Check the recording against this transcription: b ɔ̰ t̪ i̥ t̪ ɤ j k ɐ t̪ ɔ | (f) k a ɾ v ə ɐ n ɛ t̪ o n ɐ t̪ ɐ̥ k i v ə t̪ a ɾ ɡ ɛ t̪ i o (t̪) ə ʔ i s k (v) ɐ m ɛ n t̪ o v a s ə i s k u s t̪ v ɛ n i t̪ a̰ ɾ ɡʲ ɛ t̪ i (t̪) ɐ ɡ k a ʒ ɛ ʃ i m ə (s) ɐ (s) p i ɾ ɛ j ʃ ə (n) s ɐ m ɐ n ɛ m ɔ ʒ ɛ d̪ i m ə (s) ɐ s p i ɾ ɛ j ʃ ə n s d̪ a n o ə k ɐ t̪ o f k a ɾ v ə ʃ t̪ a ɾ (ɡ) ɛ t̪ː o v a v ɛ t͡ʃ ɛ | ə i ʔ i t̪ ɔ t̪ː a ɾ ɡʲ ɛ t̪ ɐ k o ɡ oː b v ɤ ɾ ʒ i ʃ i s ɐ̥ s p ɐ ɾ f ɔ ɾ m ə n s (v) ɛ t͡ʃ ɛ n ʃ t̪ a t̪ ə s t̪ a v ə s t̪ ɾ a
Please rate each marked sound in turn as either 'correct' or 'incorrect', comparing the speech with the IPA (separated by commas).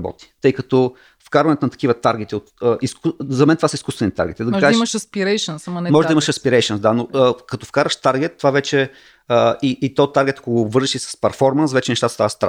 correct, correct, incorrect, incorrect, incorrect, correct, correct, incorrect, correct, correct